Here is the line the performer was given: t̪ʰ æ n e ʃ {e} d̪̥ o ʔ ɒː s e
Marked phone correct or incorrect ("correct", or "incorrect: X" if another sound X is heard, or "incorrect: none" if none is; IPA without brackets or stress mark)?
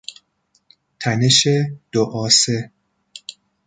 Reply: correct